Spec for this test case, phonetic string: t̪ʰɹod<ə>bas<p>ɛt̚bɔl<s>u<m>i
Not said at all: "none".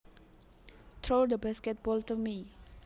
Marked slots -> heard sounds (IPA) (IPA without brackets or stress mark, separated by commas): ə, k, t, m